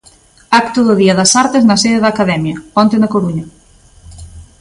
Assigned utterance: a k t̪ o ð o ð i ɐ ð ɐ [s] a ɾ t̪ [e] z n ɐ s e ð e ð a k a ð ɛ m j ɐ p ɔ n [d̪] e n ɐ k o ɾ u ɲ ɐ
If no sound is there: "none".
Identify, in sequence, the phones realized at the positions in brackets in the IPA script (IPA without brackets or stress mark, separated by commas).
s, e, t̪